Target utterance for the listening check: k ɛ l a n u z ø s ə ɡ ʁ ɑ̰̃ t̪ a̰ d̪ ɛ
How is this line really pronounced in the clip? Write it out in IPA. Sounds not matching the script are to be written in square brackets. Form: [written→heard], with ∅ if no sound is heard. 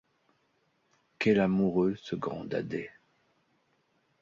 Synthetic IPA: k ɛ l a [n→m] u [z→ʁ] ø s ə ɡ ʁ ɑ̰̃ [t̪→d̪] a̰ d̪ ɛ